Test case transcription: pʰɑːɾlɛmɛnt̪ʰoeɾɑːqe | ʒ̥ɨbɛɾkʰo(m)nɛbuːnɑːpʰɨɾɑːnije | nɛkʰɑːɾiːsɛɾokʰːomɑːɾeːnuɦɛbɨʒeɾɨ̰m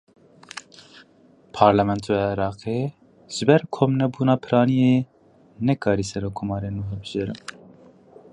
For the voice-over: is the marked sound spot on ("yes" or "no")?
yes